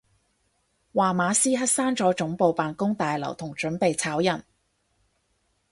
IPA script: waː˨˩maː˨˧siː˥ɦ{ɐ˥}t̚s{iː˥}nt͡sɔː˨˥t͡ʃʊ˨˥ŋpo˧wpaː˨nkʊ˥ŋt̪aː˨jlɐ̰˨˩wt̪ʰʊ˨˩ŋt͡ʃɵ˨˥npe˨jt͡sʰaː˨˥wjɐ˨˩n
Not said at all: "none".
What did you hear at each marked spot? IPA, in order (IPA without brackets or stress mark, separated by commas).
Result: ɐ˥, aː˥